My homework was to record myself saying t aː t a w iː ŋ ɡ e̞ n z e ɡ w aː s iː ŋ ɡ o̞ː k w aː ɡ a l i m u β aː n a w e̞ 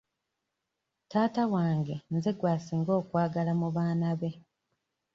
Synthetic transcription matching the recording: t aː t a w aː ŋ ɡ e̞ n z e ɡ w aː s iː ŋ ɡ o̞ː k w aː ɡ a l a m u β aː n a β e̞